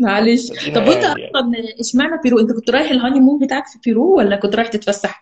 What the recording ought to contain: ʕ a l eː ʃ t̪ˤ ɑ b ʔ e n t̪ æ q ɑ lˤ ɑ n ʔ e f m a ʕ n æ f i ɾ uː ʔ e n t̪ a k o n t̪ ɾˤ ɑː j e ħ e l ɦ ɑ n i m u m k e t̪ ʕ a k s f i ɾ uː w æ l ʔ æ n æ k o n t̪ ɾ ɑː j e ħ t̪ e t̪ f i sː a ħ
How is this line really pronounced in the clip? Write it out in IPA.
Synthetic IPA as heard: ʕ a l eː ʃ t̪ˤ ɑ b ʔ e n t̪ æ ʔ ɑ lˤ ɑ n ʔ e ʃ m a ʕ n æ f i ɾ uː ʔ e n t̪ æ k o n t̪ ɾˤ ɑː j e ħ e l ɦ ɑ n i m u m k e t̪ ʕ a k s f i ɾ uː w æ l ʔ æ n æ k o n t̪ ɾ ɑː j e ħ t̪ e t̪ f æ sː a ħ